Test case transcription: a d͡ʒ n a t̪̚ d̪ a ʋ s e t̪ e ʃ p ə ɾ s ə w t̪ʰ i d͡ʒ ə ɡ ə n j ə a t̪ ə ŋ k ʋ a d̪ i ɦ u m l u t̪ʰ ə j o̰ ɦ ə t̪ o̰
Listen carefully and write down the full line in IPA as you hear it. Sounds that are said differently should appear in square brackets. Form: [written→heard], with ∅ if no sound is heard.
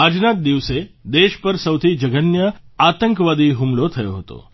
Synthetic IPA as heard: a d͡ʒ n a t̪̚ d̪ [a→i] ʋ s e [t̪→d̪] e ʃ p ə ɾ s ə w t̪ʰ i d͡ʒ ə ɡ ə n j ə a t̪ ə ŋ k ʋ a d̪ i ɦ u m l [u→o] t̪ʰ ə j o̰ ɦ ə t̪ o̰